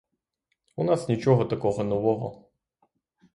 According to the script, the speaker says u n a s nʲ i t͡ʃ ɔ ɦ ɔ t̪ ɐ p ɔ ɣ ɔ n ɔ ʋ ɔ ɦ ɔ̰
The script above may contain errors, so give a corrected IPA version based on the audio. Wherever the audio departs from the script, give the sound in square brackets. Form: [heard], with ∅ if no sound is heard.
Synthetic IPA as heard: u n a s nʲ i t͡ʃ ɔ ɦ ɔ t̪ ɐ [k] ɔ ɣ ɔ n ɔ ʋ ɔ ɦ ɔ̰